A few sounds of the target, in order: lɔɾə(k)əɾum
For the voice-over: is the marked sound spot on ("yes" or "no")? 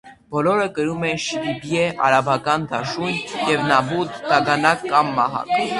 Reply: yes